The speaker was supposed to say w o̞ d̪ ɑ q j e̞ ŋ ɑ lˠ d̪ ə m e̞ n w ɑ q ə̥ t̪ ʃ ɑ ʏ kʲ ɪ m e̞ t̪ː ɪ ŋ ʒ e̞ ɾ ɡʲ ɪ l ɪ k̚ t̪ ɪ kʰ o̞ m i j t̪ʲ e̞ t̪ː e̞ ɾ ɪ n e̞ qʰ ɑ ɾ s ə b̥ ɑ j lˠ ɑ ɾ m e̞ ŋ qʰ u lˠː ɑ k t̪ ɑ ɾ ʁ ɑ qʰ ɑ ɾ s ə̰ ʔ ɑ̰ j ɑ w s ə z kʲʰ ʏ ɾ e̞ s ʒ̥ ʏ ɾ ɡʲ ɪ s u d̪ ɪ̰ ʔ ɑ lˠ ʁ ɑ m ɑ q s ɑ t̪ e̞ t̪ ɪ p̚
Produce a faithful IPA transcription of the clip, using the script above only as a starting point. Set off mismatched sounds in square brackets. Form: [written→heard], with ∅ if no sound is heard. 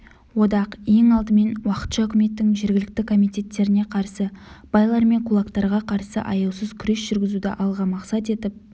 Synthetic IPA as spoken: w o̞ d̪ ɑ q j e̞ ŋ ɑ lˠ d̪ ə m e̞ n w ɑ q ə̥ t̪ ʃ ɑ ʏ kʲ ɪ m e̞ t̪ː ɪ ŋ ʒ e̞ ɾ ɡʲ ɪ l ɪ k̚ t̪ ɪ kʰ o̞ m i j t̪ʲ e̞ t̪ː e̞ ɾ ɪ n e̞ qʰ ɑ ɾ s ə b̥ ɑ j lˠ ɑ ɾ m e̞ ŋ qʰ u [lˠː→lˠ] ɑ k t̪ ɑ ɾ ʁ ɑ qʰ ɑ ɾ s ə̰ ʔ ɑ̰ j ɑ w s ə z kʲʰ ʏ ɾ e̞ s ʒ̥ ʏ ɾ ɡʲ ɪ [s→z] u d̪ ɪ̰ ʔ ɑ lˠ ʁ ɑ m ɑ q s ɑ t̪ e̞ t̪ ɪ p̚